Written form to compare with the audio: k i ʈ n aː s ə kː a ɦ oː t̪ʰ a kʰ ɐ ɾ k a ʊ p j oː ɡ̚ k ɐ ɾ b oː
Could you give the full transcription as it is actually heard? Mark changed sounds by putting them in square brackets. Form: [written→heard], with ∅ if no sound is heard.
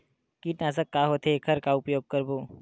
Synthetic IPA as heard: k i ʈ n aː s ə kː a ɦ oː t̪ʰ [a→e] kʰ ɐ ɾ k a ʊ p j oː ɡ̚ k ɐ ɾ b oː

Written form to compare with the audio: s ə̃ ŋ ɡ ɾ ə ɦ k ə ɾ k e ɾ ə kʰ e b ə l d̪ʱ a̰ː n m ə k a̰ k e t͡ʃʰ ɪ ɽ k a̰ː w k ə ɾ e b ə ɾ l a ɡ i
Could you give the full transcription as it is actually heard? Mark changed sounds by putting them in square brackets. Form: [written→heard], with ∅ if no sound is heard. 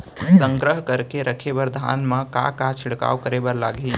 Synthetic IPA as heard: s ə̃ ŋ ɡ ɾ ə ɦ k ə ɾ k e ɾ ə kʰ e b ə [l→ɾ] d̪ʱ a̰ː n m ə k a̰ k [e→a] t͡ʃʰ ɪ ɽ k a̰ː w k ə ɾ e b ə ɾ l a ɡ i

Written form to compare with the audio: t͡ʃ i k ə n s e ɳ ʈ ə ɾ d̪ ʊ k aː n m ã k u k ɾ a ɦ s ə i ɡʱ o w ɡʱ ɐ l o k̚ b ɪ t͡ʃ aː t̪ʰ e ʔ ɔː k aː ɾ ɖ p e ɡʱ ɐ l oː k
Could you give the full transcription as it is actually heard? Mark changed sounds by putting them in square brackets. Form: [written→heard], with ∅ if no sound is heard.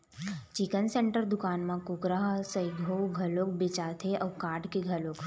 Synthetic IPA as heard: t͡ʃ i k ə n s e ɳ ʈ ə ɾ d̪ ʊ k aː n m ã k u k ɾ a ɦ s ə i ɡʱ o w ɡʱ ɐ l o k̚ b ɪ t͡ʃ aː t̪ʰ e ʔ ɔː k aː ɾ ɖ [p→k] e ɡʱ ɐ l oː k

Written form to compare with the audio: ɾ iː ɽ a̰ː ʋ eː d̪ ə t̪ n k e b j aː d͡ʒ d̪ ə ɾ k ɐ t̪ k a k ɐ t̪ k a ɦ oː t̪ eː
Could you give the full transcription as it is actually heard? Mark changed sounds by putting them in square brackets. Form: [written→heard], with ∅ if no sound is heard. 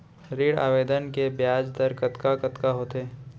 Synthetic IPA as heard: ɾ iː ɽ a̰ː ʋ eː d̪ ə [t̪→∅] n k e b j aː d͡ʒ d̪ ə ɾ k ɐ t̪ k a k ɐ t̪ k a ɦ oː t̪ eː

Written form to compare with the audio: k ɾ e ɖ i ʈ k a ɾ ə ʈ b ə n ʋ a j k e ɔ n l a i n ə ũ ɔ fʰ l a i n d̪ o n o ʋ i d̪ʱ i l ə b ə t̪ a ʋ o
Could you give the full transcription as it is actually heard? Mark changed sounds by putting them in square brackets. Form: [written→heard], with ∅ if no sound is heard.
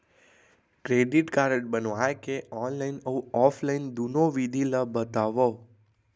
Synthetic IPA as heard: k ɾ e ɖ i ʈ k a ɾ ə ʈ b ə n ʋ a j k e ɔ n l a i n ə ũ ɔ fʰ l a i n d̪ [o→u] n o ʋ i d̪ʱ i l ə b ə t̪ a ʋ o

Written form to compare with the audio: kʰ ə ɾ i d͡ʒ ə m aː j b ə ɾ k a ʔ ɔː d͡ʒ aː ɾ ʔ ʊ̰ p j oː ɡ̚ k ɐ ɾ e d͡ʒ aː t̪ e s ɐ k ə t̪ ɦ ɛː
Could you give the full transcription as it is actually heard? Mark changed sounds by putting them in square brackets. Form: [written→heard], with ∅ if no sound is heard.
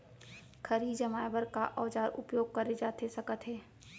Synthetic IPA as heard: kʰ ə ɾ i d͡ʒ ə m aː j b ə ɾ k a ʔ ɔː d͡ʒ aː ɾ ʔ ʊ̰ p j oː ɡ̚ k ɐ ɾ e d͡ʒ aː t̪ e s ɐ k ə t̪ ɦ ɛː

